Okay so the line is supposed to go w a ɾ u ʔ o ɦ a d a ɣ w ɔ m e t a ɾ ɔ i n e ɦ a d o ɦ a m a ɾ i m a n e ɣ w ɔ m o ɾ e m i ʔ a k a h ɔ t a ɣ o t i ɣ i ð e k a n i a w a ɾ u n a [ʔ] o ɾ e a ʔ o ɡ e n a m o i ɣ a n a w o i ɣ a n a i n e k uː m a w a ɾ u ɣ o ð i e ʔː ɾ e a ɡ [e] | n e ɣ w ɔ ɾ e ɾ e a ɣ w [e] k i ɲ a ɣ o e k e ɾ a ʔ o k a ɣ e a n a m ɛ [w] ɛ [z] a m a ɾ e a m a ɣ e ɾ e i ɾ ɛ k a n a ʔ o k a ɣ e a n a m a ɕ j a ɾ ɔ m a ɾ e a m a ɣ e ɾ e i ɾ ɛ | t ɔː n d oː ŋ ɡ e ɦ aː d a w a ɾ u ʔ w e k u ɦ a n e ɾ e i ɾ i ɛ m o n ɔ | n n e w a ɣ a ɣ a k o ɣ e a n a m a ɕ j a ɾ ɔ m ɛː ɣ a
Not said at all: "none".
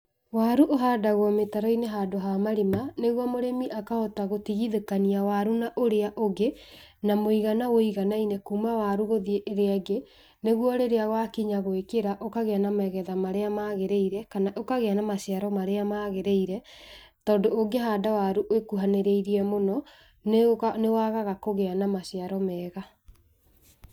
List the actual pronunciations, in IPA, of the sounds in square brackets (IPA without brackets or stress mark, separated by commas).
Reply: ʔ, e, a, ɣ, ð